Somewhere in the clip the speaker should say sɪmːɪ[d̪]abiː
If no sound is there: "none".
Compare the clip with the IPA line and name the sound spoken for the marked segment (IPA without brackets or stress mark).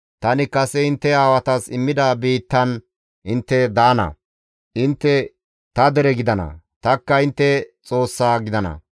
d̪